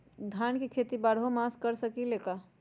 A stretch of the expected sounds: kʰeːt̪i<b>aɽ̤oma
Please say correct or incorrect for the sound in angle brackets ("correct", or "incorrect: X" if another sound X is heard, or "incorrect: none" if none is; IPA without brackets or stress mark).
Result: correct